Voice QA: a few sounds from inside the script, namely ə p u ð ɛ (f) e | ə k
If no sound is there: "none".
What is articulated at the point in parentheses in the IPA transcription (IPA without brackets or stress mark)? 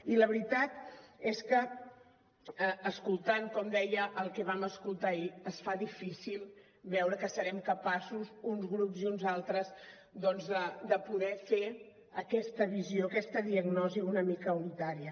f